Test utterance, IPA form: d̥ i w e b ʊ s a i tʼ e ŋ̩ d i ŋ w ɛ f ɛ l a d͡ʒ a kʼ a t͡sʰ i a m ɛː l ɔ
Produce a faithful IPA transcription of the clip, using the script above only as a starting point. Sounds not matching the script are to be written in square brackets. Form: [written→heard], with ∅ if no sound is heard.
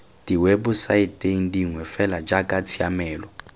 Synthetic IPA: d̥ i w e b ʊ s a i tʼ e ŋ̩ d i ŋ w ɛ f ɛ l a d͡ʒ a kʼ a t͡sʰ i a m ɛː l ɔ